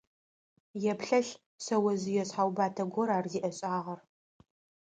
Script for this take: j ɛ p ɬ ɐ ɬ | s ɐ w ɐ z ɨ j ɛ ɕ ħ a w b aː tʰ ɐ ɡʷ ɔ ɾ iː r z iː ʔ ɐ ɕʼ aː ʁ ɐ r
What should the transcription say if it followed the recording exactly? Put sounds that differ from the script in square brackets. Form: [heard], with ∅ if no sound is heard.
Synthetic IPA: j ɛ p ɬ ɐ ɬ | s ɐ w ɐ z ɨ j ɛ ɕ ħ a w b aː tʰ ɐ ɡʷ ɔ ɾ [aː] r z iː ʔ ɐ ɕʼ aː ʁ ɐ r